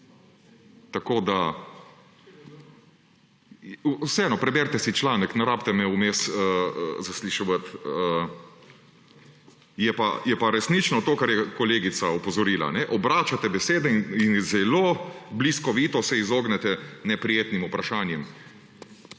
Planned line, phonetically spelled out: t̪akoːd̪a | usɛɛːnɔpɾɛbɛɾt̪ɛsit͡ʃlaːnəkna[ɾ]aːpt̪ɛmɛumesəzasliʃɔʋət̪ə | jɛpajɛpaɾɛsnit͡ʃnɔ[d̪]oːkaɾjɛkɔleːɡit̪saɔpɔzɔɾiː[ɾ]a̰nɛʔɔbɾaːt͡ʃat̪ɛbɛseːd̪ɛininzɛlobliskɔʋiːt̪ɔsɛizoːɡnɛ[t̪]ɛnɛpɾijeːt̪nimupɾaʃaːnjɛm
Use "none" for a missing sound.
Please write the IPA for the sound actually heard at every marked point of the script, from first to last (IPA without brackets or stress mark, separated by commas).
ɾ, t̪, l, t̪